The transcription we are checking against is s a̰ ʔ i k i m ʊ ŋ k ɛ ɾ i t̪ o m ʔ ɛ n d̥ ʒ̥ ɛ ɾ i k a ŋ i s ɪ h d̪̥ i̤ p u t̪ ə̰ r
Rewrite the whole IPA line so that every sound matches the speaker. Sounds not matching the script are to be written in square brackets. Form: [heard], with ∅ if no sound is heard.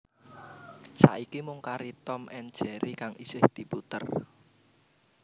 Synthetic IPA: s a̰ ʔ i k i m ʊ ŋ k [a] ɾ i t̪ [ɔ] m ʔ ɛ n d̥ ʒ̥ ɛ ɾ i k a ŋ i s ɪ h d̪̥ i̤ p u t̪ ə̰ r